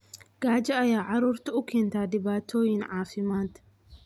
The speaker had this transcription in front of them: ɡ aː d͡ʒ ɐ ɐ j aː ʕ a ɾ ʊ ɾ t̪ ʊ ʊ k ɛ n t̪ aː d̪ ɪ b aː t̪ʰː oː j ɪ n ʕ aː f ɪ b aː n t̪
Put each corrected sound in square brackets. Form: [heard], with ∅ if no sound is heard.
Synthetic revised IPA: ɡ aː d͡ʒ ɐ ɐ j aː ʕ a ɾ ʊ ɾ t̪ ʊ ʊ k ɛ n t̪ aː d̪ ɪ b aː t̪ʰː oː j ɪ n ʕ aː f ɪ [m] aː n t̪